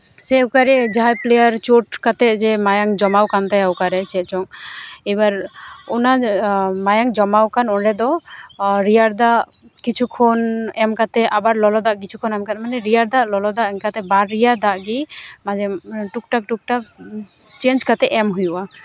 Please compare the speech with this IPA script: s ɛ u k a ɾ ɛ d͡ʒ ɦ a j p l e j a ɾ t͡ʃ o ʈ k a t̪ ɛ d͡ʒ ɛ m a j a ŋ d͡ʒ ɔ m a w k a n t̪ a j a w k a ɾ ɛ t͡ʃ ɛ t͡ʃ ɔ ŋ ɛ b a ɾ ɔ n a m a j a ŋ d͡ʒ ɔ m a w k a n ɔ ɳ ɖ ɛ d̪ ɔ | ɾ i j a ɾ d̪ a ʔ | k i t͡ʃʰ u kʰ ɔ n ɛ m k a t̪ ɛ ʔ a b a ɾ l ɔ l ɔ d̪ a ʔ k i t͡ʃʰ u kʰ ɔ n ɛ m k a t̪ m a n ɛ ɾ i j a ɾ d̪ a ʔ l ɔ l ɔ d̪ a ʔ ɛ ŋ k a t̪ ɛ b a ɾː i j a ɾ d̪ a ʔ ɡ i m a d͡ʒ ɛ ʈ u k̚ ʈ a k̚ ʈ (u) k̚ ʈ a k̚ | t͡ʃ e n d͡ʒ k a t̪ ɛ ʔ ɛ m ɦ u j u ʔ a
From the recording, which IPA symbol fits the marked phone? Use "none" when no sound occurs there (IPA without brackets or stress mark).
u